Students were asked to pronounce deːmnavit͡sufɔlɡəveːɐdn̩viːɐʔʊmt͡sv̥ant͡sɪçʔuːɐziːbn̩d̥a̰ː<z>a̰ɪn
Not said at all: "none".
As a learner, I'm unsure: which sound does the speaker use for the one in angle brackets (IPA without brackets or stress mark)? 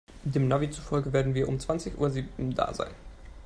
z